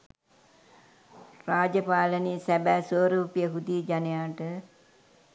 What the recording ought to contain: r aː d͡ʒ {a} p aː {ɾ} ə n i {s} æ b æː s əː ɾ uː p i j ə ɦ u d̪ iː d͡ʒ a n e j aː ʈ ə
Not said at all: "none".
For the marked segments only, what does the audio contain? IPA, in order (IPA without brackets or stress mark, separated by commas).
ə, l, s